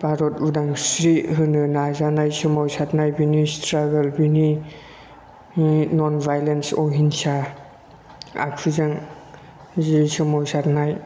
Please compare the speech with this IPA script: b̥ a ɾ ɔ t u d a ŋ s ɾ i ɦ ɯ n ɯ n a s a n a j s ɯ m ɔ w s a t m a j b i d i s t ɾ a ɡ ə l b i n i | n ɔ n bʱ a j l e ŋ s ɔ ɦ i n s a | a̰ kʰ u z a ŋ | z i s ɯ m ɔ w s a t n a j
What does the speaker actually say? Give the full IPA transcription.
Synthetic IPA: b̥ a ɾ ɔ t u d a ŋ s ɾ i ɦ ɯ n ɯ n a z a n a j s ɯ m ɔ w s a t n a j b i n i s t ɾ a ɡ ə l b i n i | n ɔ n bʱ a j l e n s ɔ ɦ i n s a | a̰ kʰ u z a ŋ | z i s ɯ m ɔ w s a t n a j